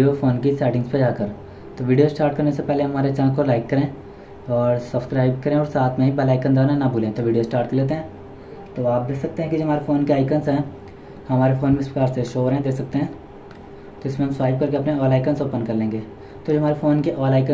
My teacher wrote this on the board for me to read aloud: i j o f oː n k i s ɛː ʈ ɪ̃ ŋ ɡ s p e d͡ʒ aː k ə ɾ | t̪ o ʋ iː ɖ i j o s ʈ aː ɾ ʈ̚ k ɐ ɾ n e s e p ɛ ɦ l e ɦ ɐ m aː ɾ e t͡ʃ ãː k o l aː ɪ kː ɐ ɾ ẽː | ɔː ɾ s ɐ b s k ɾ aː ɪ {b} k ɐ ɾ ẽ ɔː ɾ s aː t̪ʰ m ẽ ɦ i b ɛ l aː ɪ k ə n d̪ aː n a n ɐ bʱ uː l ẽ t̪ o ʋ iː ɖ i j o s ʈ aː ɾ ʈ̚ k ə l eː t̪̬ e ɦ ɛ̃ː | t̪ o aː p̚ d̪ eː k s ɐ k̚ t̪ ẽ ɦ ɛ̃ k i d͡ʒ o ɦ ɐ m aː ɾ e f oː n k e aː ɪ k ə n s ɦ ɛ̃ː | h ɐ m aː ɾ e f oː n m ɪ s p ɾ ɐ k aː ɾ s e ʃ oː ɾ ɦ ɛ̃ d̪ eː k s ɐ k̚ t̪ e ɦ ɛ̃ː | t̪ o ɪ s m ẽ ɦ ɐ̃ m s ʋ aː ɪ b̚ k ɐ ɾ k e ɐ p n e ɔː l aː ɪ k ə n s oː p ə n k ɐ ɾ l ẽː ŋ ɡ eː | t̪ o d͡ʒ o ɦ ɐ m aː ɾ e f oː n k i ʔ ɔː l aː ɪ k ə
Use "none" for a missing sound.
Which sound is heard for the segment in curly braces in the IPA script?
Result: b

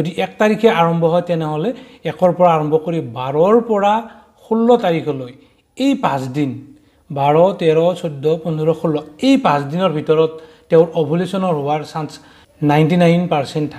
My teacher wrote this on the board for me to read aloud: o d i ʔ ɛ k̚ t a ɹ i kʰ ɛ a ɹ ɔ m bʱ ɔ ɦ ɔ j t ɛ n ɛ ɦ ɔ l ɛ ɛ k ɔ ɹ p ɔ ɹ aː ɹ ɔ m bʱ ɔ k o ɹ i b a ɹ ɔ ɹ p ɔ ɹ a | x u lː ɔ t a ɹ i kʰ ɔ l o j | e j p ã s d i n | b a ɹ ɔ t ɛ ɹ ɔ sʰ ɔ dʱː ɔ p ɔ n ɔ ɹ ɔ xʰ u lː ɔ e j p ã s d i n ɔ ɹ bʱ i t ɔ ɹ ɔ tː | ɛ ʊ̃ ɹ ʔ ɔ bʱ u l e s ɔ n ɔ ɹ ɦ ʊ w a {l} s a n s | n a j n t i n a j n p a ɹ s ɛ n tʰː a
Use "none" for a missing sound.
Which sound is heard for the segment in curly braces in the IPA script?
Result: ɹ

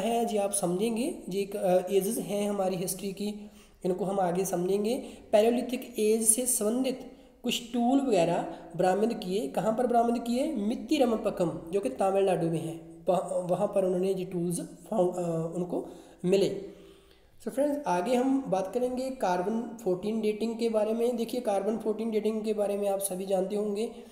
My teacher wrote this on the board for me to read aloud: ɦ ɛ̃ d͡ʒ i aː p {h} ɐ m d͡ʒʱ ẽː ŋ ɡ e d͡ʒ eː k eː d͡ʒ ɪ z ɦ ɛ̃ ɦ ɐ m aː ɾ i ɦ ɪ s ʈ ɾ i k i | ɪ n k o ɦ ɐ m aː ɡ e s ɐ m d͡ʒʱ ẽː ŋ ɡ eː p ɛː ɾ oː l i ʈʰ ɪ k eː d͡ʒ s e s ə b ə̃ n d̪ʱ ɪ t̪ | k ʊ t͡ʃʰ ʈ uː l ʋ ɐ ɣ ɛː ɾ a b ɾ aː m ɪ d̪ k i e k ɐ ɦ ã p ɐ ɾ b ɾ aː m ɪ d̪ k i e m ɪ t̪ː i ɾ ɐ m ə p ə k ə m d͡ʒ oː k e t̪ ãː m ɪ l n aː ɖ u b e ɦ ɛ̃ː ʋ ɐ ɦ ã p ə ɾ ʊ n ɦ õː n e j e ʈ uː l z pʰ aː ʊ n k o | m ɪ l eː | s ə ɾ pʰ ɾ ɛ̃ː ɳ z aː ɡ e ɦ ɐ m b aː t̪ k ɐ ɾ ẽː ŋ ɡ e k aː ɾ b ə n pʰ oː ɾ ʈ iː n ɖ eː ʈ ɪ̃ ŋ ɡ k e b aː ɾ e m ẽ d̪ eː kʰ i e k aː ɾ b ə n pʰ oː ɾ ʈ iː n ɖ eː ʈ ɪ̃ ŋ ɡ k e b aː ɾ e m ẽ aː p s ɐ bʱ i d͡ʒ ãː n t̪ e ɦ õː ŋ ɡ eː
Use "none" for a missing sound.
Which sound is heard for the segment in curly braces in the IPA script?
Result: s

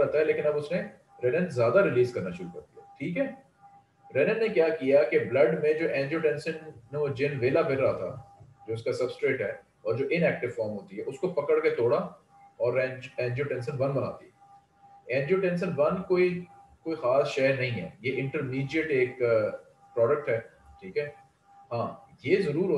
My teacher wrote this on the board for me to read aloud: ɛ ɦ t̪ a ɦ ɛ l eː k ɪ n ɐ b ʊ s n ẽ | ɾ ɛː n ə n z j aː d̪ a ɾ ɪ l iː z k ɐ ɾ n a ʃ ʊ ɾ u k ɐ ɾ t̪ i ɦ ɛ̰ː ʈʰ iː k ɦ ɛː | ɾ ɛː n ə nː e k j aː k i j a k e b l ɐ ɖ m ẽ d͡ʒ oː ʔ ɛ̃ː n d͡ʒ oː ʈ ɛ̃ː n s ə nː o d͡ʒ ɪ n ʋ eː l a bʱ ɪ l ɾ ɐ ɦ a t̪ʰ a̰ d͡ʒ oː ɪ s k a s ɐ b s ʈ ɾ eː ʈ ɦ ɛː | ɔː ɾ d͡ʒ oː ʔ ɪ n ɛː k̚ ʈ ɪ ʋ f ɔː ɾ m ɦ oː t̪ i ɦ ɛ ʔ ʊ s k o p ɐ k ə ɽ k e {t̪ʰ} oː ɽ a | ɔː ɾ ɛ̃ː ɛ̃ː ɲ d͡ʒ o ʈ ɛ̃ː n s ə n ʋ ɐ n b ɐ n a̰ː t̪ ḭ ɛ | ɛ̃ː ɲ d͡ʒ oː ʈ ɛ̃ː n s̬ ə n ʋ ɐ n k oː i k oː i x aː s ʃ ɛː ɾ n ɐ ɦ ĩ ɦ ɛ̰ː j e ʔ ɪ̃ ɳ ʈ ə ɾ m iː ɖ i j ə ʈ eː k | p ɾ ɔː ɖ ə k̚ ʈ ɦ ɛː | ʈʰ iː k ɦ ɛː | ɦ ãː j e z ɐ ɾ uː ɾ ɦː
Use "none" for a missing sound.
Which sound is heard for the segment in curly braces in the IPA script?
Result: t̪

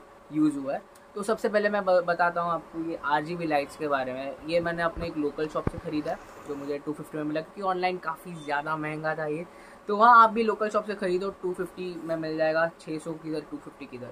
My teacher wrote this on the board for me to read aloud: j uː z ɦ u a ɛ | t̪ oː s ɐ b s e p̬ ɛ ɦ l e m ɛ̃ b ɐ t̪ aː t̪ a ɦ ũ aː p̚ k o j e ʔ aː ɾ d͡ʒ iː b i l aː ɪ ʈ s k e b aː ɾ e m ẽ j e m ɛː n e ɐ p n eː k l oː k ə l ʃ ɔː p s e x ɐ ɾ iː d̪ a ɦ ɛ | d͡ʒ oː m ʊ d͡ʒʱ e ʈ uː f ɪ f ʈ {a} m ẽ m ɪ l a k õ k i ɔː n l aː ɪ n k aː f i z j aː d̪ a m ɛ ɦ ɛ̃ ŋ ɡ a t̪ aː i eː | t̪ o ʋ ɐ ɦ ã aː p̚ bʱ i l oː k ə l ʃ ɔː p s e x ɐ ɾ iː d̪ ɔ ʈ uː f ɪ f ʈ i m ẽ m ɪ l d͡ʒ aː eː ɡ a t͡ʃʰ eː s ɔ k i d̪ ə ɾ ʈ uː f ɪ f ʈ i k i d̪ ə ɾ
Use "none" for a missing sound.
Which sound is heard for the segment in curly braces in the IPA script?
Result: i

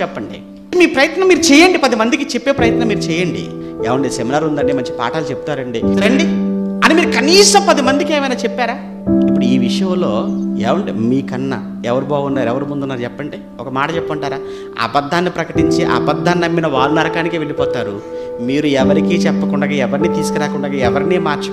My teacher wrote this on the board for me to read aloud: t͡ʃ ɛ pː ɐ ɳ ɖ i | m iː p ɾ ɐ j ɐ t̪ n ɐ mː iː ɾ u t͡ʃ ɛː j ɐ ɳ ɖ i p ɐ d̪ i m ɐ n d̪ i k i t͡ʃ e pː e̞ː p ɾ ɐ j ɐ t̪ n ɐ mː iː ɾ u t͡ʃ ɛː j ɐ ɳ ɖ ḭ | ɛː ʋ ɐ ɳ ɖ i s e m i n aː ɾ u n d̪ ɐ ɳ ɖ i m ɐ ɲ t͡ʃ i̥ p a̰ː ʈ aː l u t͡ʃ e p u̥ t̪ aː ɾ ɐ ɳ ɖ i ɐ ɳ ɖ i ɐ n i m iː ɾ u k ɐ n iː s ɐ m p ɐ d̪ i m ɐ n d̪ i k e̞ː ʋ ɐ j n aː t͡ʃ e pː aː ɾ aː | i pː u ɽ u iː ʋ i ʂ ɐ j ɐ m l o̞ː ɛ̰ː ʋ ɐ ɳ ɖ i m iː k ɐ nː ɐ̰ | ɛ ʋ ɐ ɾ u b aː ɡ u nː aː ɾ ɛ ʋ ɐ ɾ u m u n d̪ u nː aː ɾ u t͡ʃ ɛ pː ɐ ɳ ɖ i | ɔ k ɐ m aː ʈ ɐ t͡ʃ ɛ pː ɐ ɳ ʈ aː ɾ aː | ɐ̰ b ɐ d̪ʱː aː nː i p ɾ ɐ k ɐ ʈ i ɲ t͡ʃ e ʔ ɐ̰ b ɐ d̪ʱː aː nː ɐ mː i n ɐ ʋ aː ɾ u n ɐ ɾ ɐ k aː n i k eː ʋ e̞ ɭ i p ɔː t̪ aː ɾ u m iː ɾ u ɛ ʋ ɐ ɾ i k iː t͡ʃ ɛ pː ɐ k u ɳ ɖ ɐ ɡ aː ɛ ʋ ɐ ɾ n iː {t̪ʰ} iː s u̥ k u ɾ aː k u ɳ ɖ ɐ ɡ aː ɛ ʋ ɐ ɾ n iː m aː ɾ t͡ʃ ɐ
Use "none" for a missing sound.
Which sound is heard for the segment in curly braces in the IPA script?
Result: t̪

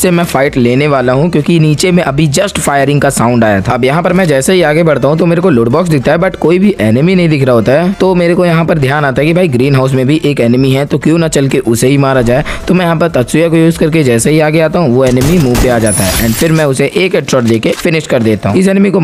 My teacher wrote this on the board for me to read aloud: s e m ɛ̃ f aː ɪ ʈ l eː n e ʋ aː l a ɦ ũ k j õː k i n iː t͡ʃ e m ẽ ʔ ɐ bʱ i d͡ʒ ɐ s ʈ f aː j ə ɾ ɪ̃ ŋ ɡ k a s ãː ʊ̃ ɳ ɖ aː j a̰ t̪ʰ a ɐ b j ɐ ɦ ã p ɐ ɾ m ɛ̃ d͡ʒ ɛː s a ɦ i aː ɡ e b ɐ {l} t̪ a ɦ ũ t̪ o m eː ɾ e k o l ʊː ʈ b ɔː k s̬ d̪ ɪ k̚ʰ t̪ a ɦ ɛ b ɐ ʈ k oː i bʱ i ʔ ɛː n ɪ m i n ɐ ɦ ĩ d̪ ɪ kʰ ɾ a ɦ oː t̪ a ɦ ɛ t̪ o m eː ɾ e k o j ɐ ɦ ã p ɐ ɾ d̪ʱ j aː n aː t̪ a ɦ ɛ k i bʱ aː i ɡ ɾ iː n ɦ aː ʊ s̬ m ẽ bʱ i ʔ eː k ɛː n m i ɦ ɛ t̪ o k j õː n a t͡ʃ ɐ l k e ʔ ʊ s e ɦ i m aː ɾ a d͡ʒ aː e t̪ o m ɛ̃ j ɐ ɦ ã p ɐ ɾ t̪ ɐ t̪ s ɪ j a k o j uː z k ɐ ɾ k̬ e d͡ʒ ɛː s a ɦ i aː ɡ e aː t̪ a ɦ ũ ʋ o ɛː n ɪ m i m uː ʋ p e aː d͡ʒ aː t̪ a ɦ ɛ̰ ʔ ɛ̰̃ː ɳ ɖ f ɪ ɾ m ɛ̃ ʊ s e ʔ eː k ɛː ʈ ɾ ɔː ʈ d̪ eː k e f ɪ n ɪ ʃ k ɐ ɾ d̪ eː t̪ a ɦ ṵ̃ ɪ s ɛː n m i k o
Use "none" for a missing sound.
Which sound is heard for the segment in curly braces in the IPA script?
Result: ɽ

